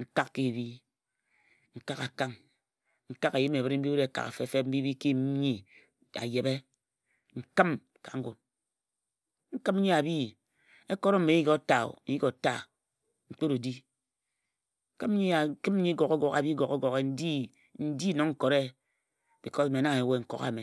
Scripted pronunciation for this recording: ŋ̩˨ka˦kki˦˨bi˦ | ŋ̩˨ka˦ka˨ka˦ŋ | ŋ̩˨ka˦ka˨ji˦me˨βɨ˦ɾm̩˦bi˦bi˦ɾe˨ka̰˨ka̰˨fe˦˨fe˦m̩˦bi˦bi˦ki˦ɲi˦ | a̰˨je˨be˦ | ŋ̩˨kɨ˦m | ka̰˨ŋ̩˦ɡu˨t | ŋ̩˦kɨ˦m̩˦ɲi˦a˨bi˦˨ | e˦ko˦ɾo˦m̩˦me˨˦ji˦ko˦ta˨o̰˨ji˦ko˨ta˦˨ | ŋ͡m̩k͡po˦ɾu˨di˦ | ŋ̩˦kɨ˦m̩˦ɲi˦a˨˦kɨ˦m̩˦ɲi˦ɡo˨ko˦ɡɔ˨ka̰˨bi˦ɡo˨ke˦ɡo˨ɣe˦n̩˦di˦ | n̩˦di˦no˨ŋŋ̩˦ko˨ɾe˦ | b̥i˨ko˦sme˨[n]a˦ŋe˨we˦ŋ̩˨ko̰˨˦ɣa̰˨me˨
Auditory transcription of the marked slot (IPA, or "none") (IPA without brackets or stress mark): n